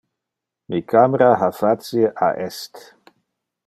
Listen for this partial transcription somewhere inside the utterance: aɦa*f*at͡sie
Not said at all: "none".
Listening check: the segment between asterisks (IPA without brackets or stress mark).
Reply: f